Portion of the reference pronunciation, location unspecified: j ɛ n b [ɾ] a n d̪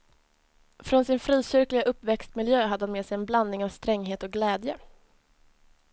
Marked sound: incorrect: l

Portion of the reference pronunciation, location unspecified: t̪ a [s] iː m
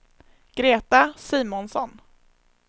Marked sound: correct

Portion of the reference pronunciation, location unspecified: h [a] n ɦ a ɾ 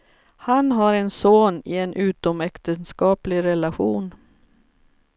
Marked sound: correct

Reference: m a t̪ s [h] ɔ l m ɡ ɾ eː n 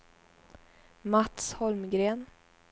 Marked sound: correct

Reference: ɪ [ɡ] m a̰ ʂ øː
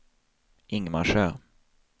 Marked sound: incorrect: ŋ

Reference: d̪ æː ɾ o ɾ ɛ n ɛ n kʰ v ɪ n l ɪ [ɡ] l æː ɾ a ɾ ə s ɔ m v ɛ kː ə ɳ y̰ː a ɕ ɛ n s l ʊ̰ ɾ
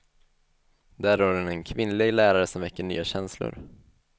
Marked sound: correct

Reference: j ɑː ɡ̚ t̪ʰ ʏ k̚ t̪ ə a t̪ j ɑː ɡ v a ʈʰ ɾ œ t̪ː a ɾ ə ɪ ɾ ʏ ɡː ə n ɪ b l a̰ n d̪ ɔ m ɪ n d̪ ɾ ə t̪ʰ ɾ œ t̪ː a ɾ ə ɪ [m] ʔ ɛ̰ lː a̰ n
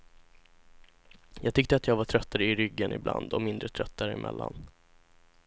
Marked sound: correct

